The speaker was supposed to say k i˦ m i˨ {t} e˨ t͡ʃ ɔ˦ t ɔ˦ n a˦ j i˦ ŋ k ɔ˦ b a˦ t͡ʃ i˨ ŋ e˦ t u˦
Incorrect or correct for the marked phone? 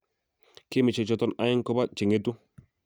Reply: incorrect: t͡ʃ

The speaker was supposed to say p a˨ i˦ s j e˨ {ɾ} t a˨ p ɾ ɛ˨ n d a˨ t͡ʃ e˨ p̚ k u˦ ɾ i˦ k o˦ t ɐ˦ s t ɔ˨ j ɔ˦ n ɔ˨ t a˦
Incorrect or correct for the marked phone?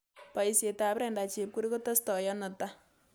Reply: incorrect: none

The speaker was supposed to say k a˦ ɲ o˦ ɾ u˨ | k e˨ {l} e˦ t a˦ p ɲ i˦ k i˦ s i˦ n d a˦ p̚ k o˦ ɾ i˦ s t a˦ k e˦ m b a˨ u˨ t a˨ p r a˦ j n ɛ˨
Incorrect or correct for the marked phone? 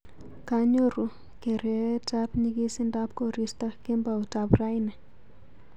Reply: incorrect: ɾ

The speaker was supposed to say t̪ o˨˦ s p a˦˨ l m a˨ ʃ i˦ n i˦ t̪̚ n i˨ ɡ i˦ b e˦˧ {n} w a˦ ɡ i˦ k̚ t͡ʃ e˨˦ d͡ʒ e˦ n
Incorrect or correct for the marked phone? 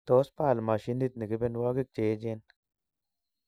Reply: correct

